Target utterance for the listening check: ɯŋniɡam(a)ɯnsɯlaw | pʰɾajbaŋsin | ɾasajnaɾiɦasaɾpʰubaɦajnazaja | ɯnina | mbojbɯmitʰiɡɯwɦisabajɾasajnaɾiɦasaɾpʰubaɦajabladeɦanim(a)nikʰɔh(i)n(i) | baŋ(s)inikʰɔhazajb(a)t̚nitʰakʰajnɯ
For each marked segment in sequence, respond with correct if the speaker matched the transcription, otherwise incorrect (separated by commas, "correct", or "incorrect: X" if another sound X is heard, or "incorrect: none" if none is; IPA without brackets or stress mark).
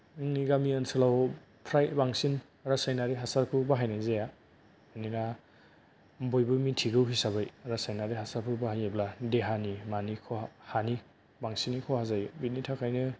incorrect: i, correct, incorrect: a, correct, correct, incorrect: i